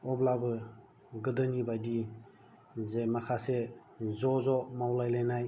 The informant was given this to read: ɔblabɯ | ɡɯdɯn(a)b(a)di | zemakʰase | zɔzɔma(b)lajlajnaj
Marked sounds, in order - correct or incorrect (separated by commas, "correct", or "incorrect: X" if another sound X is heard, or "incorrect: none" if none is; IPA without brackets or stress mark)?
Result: incorrect: i, correct, incorrect: w